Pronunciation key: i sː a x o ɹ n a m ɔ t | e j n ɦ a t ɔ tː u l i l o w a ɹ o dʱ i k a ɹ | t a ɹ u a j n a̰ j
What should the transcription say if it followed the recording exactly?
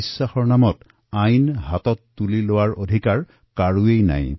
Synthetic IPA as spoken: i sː a x ɔ ɹ n a m ɔ t | a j n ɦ a t ɔ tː u l i l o w a ɹ o dʱ i k a ɹ | k a ɹ u e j n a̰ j